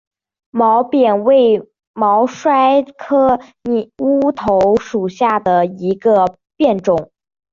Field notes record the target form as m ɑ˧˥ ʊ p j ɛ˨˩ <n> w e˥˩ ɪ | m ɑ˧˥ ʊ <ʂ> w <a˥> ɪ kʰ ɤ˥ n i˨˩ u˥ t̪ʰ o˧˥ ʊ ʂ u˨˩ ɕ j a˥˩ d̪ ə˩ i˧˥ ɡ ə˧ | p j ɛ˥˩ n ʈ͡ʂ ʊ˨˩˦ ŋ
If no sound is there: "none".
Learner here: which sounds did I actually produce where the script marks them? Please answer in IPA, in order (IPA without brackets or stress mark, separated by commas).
n, ʂ, a˥